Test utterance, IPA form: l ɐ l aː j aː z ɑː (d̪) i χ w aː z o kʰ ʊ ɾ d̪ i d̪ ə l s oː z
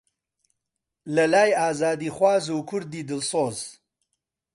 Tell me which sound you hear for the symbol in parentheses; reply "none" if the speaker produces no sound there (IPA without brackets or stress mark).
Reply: d̪